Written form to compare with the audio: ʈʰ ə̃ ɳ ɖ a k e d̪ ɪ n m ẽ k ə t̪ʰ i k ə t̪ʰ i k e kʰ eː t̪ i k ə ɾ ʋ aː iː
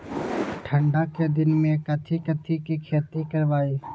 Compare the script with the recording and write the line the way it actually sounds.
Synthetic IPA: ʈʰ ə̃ ɳ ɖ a k e d̪ ɪ n m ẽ k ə t̪ʰ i k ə t̪ʰ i k i kʰ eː t̪ i k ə ɾ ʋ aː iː